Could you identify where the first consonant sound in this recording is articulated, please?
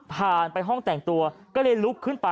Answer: labial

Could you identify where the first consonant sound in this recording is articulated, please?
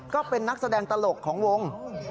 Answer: velar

